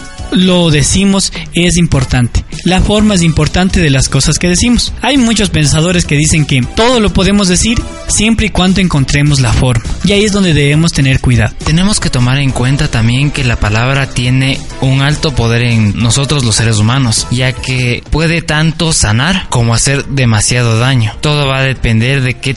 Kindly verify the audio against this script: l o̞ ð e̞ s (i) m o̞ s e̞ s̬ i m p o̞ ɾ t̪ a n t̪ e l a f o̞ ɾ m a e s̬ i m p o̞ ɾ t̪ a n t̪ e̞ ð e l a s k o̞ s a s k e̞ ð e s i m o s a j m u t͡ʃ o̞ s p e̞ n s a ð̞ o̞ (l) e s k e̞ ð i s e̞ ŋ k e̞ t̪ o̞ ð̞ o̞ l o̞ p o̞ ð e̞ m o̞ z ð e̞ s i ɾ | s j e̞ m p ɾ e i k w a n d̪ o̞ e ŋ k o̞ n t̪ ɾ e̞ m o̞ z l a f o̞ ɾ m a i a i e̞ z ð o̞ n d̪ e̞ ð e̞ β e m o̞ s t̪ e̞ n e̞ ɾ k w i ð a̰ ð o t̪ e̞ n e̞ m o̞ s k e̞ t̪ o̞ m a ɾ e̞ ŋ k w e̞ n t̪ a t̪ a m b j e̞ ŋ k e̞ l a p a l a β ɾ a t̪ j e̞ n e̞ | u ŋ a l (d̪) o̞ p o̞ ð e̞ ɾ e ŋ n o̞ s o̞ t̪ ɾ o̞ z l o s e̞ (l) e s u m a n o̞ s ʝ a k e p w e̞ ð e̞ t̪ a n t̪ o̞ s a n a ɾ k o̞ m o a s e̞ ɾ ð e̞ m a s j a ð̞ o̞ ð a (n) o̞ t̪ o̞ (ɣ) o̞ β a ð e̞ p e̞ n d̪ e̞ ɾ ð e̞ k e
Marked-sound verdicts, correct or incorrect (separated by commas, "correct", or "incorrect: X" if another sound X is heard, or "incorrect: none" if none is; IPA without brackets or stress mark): correct, incorrect: ɾ, incorrect: t̪, incorrect: ɾ, incorrect: ɲ, incorrect: ð